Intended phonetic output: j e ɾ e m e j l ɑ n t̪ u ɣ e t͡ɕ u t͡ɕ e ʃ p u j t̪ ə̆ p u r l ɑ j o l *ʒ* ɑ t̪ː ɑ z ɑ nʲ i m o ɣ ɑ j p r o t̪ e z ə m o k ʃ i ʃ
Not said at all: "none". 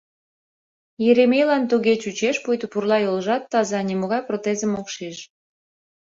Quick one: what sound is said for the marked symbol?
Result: ʒ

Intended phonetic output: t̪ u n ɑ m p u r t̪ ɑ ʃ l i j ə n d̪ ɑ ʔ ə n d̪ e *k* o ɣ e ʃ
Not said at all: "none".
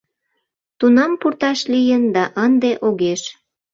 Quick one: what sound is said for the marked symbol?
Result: ʔ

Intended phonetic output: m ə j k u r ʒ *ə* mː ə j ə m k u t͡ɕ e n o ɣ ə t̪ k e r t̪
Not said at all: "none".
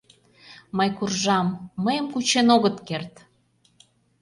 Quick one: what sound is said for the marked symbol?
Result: ɑ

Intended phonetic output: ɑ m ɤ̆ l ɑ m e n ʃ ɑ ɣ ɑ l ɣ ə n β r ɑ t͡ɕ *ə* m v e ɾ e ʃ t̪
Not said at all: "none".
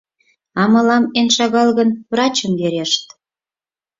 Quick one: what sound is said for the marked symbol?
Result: ə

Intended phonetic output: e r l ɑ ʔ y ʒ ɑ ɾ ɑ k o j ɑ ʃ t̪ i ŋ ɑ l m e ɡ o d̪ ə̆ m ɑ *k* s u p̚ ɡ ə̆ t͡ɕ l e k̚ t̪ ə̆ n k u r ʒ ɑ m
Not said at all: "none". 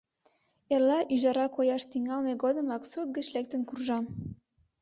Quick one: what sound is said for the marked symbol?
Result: k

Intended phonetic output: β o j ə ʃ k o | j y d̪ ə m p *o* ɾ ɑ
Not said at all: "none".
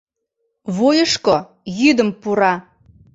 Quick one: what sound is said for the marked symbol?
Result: u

